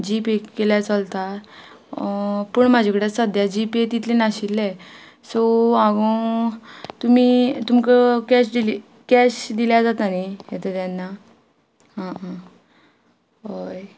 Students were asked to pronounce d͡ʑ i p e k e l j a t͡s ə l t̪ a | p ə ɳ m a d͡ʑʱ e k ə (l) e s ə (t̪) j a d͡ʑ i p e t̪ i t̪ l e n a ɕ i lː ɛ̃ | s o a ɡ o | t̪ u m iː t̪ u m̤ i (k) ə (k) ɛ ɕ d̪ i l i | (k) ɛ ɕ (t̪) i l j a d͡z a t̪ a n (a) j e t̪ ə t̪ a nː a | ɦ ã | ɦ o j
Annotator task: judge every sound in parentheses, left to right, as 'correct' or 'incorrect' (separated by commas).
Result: incorrect, incorrect, correct, correct, correct, incorrect, incorrect